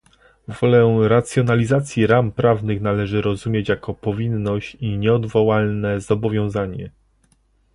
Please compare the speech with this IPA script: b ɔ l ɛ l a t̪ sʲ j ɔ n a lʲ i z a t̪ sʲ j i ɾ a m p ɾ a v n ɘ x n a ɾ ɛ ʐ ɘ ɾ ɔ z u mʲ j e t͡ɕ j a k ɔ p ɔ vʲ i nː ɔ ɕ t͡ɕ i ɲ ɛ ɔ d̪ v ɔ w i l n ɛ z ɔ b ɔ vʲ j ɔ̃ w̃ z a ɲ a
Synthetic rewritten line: v ɔ l ɛ ɾ a t̪ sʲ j ɔ n a lʲ i z a t̪ sʲ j i ɾ a m p ɾ a v n ɘ x n a l ɛ ʐ ɘ ɾ ɔ z u mʲ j e t͡ɕ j a k ɔ p ɔ vʲ i nː ɔ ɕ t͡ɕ i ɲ ɛ ɔ d̪ v ɔ w a l n ɛ z ɔ b ɔ vʲ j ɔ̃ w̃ z a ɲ ɛ